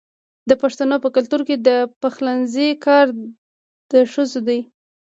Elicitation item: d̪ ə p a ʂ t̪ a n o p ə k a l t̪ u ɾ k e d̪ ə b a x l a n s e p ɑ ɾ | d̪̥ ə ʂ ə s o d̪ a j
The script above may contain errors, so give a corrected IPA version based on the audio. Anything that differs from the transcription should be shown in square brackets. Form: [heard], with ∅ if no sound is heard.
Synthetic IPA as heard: d̪ ə p a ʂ t̪ a n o p ə k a l t̪ u ɾ k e d̪ ə [p] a x l a n [z] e [k] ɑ ɾ | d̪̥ ə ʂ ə [z] o d̪ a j

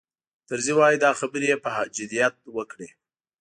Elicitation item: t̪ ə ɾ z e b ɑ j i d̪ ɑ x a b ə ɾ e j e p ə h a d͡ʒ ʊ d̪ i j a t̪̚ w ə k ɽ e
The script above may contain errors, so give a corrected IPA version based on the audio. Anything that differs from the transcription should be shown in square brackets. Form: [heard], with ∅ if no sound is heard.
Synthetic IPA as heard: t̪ ə ɾ z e [w] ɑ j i d̪ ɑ x a b ə ɾ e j e p ə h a d͡ʒ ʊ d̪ i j a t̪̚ w ə k ɽ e

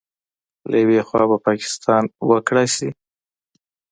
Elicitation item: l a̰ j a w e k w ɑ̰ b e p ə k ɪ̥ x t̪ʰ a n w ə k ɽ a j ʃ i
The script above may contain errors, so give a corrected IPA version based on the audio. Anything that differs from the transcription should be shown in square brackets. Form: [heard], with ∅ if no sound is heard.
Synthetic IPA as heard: l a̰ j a w e [x] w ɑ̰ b [a] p [ɑ] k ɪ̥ [s] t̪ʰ [ɑ] n w ə k ɽ a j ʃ i

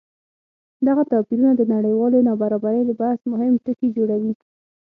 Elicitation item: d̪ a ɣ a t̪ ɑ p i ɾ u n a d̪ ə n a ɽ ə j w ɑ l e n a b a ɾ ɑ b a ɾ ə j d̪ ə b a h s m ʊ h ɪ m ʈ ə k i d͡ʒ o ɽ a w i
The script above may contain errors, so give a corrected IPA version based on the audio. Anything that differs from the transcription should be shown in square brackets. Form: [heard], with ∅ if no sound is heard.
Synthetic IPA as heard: d̪ a ɣ a t̪ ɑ p i ɾ u n a d̪ ə n a ɽ ə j w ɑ l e n [ɑ] b a ɾ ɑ b a ɾ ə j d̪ ə b a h s m ʊ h ɪ m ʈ ə k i d͡ʒ o ɽ a w i

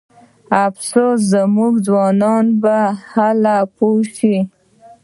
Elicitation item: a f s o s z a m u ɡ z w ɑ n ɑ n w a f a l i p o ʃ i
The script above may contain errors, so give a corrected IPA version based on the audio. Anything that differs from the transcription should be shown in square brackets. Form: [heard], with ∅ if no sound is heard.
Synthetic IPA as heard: a f s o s z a m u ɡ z w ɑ n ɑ n [b] a [h] a l [a] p o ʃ i

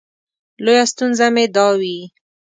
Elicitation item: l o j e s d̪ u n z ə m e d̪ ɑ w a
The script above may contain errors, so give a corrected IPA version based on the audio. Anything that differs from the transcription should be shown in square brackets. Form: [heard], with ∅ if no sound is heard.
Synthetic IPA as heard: l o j [a] s [t̪] u n z [a] m e d̪ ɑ w [i]

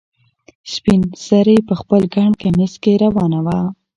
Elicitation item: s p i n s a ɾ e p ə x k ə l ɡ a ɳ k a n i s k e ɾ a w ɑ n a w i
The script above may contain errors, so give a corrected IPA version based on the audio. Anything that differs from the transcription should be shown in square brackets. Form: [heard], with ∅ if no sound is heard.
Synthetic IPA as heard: s p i n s a ɾ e p ə x [p] ə l ɡ a ɳ k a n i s k e ɾ a w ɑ n a w [a]

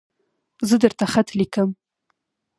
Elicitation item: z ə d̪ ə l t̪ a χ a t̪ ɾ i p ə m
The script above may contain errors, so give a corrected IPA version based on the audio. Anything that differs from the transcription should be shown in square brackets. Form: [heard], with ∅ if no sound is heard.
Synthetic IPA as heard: z ə d̪ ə [ɾ] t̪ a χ a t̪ [l] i [k] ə m

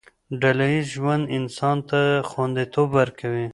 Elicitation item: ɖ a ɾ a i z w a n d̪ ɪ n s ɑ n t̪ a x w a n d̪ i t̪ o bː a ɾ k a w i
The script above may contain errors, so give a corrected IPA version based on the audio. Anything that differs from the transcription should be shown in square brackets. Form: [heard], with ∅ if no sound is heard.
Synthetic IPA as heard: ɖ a [l] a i [ʒ] w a n d̪ ɪ n s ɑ n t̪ a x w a n d̪ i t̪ o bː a ɾ k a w i

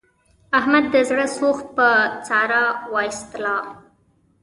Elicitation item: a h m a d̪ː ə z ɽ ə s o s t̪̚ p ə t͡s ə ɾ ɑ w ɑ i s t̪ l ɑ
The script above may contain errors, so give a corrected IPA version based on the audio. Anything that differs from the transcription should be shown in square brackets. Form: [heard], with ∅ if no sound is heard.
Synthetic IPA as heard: a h m a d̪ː ə z ɽ ə s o [x] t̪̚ p ə t͡s [ɑ] ɾ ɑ w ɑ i s t̪ l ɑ

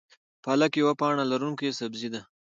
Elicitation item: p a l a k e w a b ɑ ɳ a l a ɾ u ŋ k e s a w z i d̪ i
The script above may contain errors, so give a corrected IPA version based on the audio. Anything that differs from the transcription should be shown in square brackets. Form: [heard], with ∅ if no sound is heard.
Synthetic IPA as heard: p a l a k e w a [p] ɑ ɳ a l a ɾ u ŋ k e s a [b] z i d̪ [a]

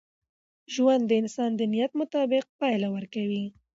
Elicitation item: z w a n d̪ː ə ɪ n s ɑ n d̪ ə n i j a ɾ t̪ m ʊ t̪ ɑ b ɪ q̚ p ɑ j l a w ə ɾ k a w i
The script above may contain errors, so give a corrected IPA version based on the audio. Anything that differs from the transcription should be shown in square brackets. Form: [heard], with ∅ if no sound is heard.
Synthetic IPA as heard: [ʒ] w a n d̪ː ə ɪ n s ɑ n d̪ ə n i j a [∅] t̪ m ʊ t̪ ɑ b ɪ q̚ p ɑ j l a w ə ɾ k a w i

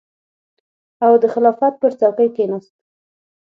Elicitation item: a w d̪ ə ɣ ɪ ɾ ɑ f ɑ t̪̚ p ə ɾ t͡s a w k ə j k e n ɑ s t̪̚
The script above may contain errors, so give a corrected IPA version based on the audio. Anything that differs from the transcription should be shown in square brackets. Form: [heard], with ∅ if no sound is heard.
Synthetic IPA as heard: a w d̪ ə [x] ɪ [l] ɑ f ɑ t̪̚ p ə ɾ t͡s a w k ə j k e n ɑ s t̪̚

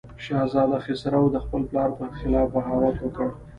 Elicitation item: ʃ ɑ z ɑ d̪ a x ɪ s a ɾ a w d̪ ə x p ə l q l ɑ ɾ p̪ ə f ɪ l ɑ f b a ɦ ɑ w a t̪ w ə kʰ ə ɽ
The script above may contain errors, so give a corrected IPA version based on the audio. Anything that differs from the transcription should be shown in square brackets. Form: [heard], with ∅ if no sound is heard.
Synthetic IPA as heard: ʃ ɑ z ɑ d̪ a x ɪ s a ɾ a w d̪ ə x p ə l [p] l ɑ ɾ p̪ ə [x] ɪ l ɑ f b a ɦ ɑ w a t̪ w ə [k] ə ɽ

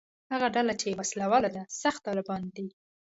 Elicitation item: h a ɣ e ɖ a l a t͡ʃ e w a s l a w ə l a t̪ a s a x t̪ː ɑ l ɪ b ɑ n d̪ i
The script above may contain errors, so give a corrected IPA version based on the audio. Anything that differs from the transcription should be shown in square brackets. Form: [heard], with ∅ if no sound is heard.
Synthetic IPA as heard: h a ɣ [a] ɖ a l a t͡ʃ e w a s l a w [ɑ] l a [d̪] a s a x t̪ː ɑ l ɪ b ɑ n d̪ i

